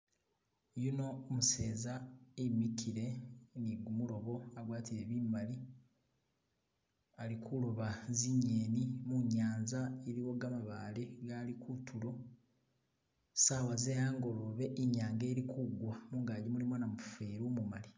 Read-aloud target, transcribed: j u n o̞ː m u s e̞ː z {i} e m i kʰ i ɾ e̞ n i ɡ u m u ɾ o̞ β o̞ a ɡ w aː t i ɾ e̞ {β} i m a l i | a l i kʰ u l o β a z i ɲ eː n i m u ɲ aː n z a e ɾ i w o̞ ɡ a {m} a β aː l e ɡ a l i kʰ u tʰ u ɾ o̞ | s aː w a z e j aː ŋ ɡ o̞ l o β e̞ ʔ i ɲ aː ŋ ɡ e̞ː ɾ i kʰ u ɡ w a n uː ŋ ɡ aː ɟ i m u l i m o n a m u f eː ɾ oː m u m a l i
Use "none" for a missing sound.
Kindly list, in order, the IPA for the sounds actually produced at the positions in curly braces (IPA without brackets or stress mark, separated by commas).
a, β, m